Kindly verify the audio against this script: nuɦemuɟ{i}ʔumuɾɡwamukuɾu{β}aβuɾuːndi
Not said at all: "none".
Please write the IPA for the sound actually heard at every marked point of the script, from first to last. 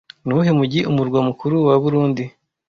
i, w

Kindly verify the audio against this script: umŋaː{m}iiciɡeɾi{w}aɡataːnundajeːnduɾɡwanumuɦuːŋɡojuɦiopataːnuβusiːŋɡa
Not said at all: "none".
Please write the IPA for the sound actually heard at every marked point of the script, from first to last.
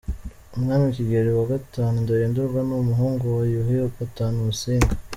n, w

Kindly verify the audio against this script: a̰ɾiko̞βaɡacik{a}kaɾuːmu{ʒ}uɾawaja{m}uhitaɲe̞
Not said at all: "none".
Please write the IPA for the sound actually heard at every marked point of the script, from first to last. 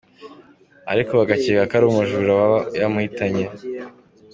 a, ʒ, m

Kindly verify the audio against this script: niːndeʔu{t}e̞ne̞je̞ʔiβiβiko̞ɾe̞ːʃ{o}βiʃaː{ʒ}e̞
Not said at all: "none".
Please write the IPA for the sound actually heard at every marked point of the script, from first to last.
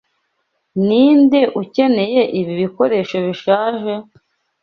c, o, ʒ

